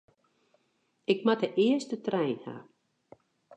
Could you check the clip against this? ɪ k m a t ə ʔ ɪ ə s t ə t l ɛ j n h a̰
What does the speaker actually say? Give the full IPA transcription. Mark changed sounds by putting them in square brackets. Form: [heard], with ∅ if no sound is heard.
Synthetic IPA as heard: ɪ k m a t ə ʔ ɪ ə s t ə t [r] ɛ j n h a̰